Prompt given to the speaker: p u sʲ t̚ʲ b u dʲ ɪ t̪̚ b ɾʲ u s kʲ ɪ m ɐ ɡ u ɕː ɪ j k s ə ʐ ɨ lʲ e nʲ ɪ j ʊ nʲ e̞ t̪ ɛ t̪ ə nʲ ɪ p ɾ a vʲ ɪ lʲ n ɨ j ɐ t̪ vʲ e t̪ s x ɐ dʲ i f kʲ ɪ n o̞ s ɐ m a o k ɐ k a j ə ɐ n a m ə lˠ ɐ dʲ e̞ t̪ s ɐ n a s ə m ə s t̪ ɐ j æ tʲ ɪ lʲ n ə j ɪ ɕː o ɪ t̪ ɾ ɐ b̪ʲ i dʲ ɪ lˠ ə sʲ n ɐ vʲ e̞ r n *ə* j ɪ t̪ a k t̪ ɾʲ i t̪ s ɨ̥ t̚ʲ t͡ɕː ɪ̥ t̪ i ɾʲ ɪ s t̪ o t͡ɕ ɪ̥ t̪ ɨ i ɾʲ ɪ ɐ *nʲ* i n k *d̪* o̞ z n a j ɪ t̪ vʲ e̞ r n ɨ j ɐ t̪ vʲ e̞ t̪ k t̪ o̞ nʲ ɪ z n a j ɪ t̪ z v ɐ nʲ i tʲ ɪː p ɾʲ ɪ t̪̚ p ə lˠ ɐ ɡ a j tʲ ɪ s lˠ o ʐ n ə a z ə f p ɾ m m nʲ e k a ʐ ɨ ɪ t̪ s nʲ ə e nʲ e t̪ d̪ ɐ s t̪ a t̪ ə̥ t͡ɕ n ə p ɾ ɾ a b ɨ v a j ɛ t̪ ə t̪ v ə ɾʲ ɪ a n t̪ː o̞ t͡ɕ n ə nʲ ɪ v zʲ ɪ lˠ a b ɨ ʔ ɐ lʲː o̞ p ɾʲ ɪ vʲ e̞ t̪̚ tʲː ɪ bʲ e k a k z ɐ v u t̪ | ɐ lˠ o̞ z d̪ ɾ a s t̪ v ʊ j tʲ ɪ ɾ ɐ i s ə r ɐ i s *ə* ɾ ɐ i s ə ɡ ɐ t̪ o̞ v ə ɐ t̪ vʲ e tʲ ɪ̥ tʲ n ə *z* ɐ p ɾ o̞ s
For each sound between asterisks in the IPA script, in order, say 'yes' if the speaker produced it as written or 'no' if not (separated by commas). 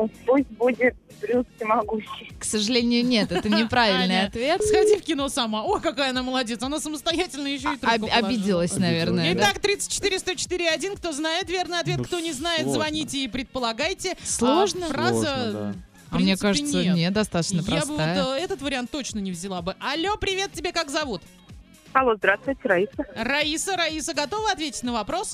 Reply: yes, no, no, yes, no